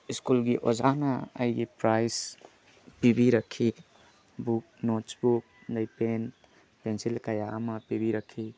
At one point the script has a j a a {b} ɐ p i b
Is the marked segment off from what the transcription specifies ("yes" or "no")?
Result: yes